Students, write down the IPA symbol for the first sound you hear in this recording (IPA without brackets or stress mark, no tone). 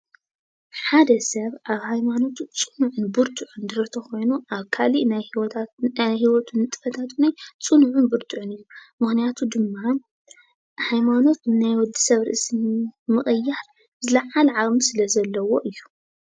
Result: ħ